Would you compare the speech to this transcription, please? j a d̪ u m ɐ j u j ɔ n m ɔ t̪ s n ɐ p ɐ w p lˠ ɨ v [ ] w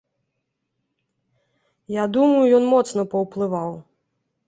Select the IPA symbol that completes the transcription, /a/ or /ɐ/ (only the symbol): a